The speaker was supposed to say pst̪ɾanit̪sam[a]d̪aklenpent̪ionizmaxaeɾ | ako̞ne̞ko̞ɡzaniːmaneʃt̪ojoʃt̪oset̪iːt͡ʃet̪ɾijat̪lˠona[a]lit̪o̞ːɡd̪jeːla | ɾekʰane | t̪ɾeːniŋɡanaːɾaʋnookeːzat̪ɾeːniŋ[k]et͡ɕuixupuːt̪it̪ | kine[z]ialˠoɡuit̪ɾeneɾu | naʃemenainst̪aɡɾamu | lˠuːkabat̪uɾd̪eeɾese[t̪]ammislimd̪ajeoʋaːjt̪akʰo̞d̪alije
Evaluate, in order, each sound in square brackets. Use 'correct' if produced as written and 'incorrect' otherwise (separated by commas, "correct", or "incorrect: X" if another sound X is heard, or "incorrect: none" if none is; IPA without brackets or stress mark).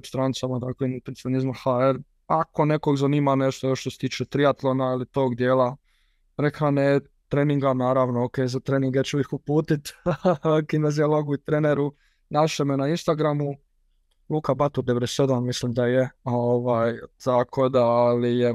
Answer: correct, incorrect: i, incorrect: ɡ, correct, incorrect: d̪